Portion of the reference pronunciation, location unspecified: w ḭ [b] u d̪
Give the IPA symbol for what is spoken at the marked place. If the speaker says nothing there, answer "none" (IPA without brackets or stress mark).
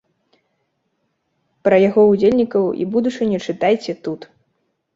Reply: b